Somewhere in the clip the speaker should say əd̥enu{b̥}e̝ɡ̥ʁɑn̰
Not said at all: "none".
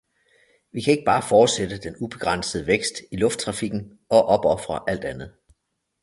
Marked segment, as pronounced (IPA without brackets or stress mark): b̥